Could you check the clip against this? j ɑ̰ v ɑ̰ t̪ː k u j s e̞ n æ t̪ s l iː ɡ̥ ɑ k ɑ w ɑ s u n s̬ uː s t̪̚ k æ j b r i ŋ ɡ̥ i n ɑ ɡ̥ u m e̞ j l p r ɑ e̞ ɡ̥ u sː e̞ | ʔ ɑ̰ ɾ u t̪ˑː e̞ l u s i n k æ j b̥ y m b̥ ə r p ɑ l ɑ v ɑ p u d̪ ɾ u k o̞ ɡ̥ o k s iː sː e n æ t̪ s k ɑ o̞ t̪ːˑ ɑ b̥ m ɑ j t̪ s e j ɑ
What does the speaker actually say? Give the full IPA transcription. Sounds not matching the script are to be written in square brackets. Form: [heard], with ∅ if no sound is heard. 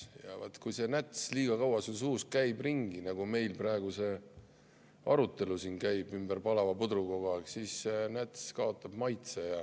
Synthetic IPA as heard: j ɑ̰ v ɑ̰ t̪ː k u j s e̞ n æ t̪ s l iː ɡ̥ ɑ k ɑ w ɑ s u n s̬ uː s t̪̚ k æ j b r i ŋ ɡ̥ i n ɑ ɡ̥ u m e̞ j l p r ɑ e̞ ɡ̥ u [s] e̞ | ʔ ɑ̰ ɾ u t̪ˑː e̞ l u s i n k æ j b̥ y m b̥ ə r p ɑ l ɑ v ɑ p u d̪ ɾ u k o̞ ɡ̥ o k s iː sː e n æ t̪ s k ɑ o̞ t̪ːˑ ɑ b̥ m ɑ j t̪ s e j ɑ